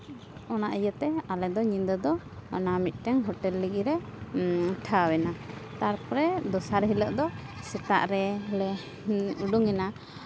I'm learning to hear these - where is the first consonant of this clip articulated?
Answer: tongue tip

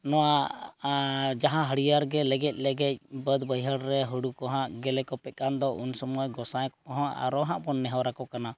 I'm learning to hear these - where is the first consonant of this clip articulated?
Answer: tongue tip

